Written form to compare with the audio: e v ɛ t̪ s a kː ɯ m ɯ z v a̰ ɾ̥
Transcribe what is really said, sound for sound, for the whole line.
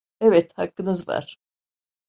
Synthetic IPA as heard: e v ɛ t̪ h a kː ɯ n ɯ z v a̰ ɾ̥